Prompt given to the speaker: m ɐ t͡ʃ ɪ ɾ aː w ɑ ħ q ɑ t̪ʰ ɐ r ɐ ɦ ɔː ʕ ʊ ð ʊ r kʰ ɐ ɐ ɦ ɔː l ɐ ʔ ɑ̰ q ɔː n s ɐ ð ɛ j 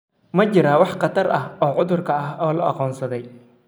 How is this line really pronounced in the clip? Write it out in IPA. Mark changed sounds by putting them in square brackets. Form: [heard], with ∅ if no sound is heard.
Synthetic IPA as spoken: m ɐ t͡ʃ ɪ ɾ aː w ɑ ħ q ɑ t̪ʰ ɐ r ɐ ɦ ɔː ʕ ʊ ð ʊ r kʰ ɐ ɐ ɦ ɔː l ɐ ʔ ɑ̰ q ɔː n s ɐ ð ɛ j